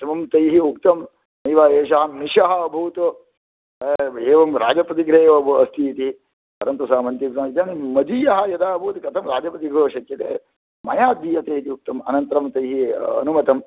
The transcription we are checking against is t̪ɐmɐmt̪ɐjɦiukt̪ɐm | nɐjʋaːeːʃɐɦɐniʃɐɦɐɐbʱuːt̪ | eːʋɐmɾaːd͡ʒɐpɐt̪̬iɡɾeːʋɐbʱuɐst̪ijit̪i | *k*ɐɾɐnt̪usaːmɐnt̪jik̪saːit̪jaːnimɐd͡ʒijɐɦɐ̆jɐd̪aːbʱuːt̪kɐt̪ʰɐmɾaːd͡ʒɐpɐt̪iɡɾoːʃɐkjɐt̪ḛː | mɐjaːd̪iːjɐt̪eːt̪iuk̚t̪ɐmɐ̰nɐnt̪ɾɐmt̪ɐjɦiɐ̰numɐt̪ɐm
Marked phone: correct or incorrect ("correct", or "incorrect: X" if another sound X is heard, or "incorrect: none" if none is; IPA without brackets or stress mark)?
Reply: incorrect: p